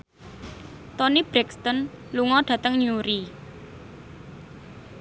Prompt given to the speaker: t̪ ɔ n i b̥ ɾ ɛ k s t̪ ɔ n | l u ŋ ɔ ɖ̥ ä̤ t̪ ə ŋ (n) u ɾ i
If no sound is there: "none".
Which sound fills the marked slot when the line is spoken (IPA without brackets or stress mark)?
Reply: ɲ